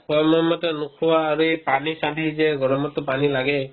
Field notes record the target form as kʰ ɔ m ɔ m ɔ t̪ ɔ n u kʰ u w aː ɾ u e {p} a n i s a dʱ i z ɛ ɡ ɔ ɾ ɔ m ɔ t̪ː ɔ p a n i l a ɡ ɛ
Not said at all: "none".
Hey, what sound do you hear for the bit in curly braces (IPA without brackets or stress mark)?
p